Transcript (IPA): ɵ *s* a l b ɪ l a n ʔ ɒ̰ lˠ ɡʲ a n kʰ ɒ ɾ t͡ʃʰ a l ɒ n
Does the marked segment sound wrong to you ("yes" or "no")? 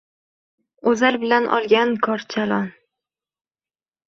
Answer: yes